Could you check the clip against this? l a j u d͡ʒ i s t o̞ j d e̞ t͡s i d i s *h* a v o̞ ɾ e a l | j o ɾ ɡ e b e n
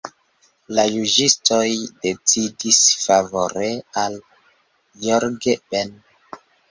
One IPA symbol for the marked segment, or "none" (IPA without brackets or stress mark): f